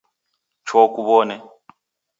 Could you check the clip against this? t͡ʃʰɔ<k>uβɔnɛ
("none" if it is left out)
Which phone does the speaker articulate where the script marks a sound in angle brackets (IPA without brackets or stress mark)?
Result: k